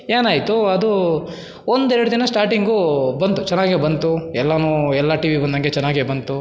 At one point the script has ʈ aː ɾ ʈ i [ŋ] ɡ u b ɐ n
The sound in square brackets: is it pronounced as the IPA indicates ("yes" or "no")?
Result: yes